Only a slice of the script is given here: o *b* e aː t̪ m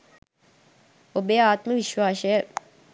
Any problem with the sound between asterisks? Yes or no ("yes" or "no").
no